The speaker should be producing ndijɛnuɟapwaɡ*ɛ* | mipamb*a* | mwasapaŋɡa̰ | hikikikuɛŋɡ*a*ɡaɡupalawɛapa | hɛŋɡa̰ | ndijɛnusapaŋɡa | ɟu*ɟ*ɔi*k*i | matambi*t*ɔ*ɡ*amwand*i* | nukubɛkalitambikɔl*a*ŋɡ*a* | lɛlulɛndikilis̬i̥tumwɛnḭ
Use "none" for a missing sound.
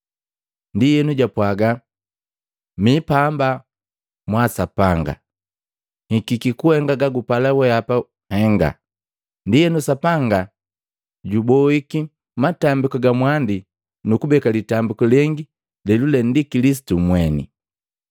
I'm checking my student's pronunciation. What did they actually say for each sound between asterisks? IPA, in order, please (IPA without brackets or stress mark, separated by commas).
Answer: a, a, a, b, k, k, ɡ, i, ɛ, i